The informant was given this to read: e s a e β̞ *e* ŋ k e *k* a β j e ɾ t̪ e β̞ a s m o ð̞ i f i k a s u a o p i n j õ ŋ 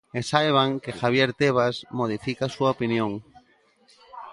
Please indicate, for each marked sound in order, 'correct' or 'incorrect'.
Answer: incorrect: a, incorrect: x

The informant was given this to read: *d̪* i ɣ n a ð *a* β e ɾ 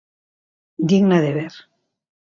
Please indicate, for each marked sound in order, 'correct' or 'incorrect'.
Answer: correct, incorrect: e

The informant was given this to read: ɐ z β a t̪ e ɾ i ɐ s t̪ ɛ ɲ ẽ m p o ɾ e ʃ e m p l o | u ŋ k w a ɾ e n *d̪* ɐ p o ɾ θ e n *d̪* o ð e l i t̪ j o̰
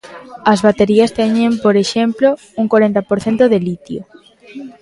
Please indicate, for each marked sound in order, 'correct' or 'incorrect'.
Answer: incorrect: t̪, incorrect: t̪

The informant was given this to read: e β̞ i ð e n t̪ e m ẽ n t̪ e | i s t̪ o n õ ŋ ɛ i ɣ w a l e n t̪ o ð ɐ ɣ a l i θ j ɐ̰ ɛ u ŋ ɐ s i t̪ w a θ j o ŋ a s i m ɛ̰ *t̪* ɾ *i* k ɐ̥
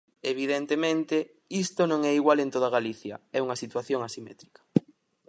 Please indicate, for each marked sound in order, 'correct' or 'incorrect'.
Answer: correct, correct

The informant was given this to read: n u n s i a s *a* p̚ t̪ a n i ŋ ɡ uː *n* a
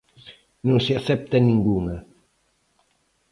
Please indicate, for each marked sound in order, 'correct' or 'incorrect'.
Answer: incorrect: ɛ, correct

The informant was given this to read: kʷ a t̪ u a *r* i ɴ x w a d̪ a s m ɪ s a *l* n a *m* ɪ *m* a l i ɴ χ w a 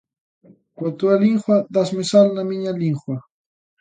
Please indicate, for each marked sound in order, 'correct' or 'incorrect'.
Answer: incorrect: l, correct, correct, incorrect: ɲ

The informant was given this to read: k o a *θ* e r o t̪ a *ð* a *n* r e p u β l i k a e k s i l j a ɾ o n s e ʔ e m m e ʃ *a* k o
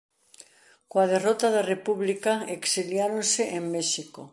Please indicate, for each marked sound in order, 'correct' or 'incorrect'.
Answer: incorrect: ð, correct, incorrect: none, incorrect: i

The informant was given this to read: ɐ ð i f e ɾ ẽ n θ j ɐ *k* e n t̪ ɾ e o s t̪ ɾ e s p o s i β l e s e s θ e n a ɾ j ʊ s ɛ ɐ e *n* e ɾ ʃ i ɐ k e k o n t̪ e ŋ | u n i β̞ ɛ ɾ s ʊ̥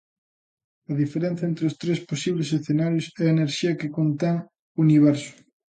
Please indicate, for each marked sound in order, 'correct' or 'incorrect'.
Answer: incorrect: none, correct

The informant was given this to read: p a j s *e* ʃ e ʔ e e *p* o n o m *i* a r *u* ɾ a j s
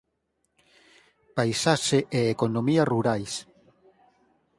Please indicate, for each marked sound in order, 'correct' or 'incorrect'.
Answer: incorrect: a, incorrect: k, correct, correct

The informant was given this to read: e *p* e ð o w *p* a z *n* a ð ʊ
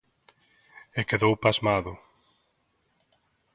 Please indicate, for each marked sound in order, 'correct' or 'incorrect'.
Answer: incorrect: k, correct, incorrect: m

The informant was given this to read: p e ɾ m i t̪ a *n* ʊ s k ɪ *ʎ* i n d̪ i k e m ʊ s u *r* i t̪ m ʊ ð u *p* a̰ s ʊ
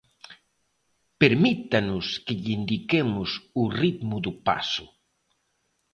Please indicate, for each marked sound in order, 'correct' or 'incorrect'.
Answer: correct, correct, correct, correct

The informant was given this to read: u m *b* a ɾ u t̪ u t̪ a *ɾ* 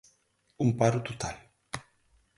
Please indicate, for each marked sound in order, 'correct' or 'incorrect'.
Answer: incorrect: p, incorrect: l

